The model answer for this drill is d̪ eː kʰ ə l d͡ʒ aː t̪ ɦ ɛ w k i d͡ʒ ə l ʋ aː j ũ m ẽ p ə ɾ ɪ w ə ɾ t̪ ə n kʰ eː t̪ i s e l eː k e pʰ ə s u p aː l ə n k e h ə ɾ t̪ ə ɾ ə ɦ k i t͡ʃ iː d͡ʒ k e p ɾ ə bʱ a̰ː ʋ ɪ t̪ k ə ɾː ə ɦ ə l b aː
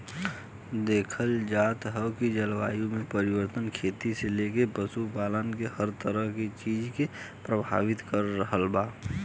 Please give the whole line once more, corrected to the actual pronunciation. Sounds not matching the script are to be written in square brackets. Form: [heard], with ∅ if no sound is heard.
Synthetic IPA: d̪ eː kʰ ə l d͡ʒ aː t̪ ɦ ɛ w k i d͡ʒ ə l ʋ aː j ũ m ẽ p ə ɾ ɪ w ə ɾ t̪ ə n kʰ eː t̪ i s e l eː k e [p] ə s u p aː l ə n k e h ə ɾ t̪ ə ɾ ə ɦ k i t͡ʃ iː d͡ʒ k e p ɾ ə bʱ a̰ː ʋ ɪ t̪ k ə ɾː ə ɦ ə l b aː